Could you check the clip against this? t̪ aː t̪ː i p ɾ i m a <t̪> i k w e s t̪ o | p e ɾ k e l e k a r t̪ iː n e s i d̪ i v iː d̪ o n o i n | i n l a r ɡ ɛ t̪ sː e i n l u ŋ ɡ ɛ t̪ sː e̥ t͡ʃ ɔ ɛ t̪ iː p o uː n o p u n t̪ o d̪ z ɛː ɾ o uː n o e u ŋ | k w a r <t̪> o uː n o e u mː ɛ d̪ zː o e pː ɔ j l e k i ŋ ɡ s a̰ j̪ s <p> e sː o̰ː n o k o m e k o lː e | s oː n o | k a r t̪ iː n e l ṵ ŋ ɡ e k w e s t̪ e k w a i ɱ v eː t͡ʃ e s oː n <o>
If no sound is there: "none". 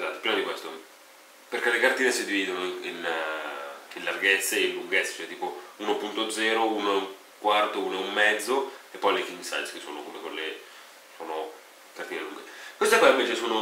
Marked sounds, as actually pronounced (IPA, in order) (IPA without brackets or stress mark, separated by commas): d̪, t̪, k, o